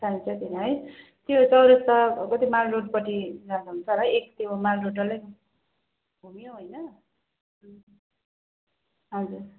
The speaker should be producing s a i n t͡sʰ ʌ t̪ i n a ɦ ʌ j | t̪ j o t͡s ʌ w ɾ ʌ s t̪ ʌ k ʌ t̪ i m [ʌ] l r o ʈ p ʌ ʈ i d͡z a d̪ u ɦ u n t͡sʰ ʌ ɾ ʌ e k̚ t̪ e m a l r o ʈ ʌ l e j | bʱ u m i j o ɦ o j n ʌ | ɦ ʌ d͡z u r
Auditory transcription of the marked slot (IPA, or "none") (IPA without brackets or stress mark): a